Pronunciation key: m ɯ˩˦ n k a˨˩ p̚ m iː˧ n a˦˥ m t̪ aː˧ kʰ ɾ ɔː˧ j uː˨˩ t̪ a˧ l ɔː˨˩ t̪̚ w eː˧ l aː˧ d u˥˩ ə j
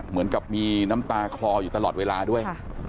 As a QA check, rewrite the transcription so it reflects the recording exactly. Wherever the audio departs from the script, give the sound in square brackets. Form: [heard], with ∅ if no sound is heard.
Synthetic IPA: m ɯ˩˦ n k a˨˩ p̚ m iː˧ n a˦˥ m t̪ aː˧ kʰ [l] ɔː˧ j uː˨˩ t̪ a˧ l ɔː˨˩ t̪̚ w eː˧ l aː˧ d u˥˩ ə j